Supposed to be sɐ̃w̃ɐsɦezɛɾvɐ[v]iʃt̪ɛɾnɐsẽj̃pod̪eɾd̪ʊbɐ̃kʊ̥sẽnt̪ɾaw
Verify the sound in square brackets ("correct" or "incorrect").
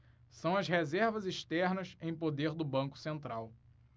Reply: incorrect